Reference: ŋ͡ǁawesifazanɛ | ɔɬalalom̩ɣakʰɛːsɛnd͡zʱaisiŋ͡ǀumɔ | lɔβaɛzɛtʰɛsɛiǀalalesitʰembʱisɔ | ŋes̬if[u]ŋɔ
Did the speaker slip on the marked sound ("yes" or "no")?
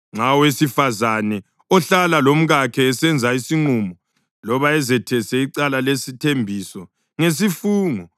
yes